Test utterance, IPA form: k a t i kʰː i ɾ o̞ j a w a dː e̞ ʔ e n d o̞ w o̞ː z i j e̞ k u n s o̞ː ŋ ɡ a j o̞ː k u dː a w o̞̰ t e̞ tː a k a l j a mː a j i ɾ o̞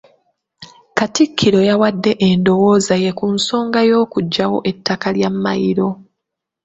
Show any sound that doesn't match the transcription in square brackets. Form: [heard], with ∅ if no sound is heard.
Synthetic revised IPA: k a t i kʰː i ɾ o̞ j a w a dː e̞ ʔ e n d o̞ w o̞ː z [a] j e̞ k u n s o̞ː ŋ ɡ a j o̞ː k u [ɟː] a w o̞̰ [ʔ] e̞ tː a k a l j a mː a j i ɾ o̞